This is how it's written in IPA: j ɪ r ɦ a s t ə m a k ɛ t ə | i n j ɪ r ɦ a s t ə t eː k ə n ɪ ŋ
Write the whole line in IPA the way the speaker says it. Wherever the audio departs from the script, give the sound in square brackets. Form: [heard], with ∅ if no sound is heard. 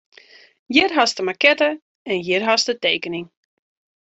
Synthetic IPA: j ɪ r ɦ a s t ə m a k ɛ t ə | [ɛ] n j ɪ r ɦ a s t ə t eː k ə n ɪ ŋ